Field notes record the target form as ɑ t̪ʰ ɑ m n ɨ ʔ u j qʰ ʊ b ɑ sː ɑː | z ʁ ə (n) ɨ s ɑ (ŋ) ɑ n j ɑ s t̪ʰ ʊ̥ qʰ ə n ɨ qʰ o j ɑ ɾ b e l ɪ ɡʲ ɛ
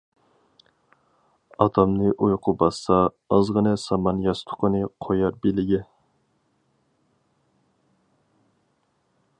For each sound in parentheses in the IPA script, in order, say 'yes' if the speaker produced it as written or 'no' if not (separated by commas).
yes, no